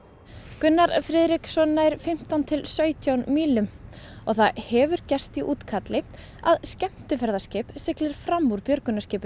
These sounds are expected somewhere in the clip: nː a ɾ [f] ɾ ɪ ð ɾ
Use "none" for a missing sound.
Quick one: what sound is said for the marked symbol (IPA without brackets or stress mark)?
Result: f